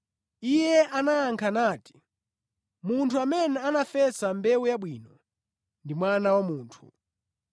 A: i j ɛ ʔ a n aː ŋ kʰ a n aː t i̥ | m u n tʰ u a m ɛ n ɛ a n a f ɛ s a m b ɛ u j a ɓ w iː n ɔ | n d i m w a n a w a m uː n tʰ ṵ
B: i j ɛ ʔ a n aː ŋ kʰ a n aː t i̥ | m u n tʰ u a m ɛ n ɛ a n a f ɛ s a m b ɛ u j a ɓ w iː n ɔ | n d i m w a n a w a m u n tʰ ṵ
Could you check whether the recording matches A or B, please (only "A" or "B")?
A